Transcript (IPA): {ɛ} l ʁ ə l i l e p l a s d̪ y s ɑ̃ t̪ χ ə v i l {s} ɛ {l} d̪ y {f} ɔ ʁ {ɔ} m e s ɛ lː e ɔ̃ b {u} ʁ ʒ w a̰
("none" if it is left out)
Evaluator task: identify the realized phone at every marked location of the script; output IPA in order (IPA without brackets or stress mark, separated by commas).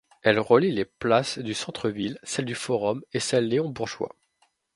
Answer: ɛ, s, l, f, ɔ, u